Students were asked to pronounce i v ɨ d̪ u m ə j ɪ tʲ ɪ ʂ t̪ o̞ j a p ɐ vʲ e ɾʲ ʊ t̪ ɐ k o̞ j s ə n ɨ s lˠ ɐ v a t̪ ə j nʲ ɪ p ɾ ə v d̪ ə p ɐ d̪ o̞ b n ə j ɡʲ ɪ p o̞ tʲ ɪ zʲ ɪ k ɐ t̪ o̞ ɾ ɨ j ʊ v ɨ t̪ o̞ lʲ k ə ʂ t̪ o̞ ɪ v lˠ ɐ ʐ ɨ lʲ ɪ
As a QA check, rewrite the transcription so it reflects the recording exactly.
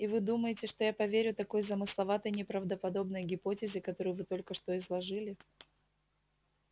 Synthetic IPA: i v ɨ d̪ u m ə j ɪ tʲ ɪ ʂ t̪ o̞ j a p ɐ vʲ e ɾʲ ʊ t̪ ɐ k o̞ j z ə m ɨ s lˠ ɐ v a t̪ ə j nʲ ɪ p ɾ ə v d̪ ə p ɐ d̪ o̞ b n ə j ɡʲ ɪ p o̞ tʲ ɪ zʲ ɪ k ɐ t̪ o̞ ɾ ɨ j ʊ v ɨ t̪ o̞ lʲ k ə ʂ t̪ o̞ ɪ z lˠ ɐ ʐ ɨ lʲ ɪ